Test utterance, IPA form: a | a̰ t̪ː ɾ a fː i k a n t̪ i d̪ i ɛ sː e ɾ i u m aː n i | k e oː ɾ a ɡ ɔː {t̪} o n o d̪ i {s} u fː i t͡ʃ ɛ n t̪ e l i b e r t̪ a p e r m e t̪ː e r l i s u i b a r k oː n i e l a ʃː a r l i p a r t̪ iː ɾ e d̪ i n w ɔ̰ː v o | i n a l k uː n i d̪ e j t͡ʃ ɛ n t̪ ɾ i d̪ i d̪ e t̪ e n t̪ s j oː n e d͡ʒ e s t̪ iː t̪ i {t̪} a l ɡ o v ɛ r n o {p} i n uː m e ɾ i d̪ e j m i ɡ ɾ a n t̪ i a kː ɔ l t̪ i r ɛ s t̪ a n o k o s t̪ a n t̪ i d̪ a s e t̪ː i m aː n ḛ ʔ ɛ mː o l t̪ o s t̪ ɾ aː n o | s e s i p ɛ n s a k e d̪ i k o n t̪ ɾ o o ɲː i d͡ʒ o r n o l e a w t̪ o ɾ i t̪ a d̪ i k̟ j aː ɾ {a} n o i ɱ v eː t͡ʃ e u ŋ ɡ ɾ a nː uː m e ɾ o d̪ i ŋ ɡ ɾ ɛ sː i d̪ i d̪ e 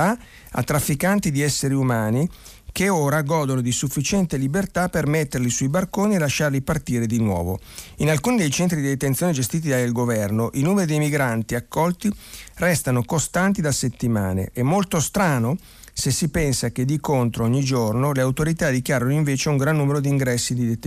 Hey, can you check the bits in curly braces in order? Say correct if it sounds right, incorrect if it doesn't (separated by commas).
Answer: incorrect, correct, incorrect, incorrect, correct